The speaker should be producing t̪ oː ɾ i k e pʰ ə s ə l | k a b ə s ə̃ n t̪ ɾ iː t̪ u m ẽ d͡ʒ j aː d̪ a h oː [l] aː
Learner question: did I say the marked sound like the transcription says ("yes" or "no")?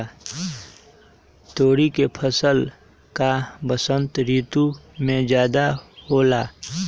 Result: yes